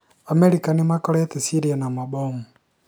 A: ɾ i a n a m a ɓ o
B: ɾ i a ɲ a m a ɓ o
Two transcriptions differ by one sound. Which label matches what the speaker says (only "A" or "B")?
A